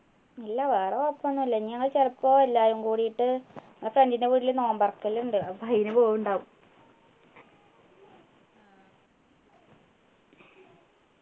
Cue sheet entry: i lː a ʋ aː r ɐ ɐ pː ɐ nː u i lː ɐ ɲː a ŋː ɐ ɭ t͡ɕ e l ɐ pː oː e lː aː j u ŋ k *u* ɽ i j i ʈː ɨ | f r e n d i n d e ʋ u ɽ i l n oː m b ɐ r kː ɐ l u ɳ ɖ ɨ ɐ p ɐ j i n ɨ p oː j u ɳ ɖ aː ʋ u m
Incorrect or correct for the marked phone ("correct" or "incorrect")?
incorrect